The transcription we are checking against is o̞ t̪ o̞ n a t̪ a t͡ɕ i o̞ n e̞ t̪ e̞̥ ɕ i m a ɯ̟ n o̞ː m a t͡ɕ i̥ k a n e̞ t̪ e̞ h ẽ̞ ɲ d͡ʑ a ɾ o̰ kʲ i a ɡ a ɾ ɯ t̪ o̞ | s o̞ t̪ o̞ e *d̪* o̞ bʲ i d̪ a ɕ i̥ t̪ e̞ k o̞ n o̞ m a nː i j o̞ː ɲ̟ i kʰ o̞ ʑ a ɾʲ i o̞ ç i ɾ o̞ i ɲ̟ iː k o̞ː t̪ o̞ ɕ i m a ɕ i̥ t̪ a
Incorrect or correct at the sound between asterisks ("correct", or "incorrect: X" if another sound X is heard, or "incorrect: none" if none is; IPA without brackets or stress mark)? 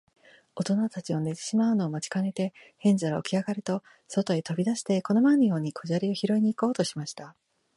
incorrect: t̪